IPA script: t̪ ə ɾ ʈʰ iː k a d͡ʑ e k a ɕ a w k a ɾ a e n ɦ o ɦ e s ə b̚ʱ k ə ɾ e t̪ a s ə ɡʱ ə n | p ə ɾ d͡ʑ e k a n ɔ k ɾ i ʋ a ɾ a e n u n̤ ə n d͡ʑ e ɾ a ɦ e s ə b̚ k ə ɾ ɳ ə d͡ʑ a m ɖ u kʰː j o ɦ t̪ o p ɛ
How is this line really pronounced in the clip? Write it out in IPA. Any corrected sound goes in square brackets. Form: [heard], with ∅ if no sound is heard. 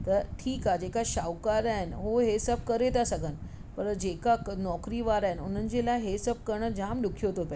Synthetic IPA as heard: t̪ ə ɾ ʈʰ iː k a d͡ʑ e k a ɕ a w k a ɾ a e n ɦ o ɦ e s ə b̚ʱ k ə ɾ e t̪ a s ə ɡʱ ə n | p ə ɾ d͡ʑ e k a n ɔ k ɾ i ʋ a ɾ a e n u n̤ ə n d͡ʑ e [l] a ɦ e s ə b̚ k ə ɾ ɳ ə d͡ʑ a m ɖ u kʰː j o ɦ t̪ o p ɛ